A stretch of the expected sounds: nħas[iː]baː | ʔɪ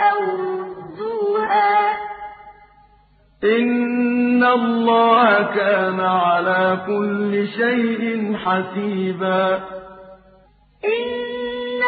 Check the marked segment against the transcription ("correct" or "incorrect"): correct